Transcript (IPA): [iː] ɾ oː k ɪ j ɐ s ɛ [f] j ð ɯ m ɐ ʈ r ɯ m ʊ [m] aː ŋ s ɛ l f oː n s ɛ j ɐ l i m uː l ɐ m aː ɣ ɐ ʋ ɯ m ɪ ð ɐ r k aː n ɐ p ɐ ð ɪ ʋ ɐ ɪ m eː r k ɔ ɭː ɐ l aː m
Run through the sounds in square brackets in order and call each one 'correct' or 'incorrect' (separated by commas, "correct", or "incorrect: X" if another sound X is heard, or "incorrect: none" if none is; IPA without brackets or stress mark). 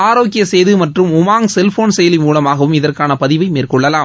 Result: incorrect: aː, incorrect: none, correct